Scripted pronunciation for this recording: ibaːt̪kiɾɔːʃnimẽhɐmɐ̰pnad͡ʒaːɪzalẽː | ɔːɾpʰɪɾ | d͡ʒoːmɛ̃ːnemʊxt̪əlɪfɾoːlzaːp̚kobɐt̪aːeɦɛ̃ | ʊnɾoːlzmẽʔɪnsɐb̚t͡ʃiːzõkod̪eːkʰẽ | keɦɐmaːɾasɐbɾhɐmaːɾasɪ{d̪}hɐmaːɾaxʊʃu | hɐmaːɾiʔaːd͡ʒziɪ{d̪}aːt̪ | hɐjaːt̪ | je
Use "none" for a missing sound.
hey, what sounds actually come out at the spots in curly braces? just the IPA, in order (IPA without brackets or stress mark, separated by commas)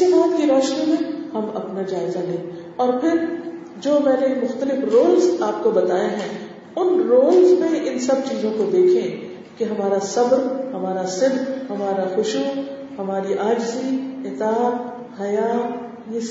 d̪, t̪